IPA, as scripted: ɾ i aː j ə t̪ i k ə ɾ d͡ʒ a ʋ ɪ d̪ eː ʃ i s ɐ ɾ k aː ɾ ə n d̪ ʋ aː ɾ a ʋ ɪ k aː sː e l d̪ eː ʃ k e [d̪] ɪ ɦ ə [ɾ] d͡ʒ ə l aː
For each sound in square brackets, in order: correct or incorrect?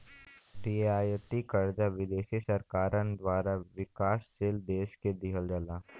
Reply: correct, incorrect: l

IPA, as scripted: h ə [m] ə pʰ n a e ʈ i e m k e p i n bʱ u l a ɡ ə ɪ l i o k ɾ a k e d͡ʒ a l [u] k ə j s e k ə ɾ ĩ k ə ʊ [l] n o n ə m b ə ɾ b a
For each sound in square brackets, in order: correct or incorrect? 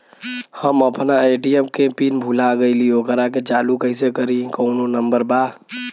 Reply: correct, correct, incorrect: none

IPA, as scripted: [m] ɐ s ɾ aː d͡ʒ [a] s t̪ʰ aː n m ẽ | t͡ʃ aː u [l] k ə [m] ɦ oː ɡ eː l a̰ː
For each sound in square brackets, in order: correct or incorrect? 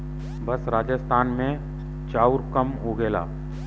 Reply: incorrect: b, incorrect: ə, incorrect: ɾ, correct

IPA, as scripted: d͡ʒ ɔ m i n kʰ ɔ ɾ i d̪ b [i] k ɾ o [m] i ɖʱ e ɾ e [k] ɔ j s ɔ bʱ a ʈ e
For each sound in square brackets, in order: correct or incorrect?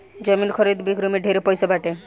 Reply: correct, correct, incorrect: p

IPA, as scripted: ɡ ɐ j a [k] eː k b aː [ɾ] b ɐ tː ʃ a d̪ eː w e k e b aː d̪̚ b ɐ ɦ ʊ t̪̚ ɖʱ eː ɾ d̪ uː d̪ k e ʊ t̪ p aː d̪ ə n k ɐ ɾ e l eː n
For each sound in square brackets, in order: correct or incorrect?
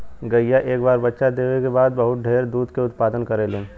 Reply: incorrect: ʔ, correct

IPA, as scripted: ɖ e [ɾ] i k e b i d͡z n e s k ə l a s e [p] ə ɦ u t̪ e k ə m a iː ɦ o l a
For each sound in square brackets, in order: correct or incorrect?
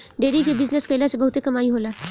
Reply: correct, incorrect: b

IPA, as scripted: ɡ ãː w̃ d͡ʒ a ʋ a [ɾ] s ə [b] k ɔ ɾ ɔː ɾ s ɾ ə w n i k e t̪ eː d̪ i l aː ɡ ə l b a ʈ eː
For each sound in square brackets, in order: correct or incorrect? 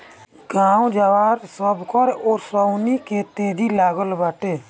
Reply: correct, correct

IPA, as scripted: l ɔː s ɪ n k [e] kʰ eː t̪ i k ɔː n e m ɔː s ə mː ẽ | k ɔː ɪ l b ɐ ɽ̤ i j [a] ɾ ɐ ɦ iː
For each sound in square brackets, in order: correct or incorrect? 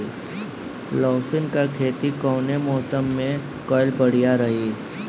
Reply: incorrect: a, correct

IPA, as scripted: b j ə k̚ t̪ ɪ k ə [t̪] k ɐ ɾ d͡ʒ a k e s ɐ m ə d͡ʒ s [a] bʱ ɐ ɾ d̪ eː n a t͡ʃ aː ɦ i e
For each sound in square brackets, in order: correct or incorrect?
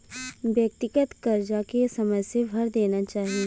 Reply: correct, incorrect: e

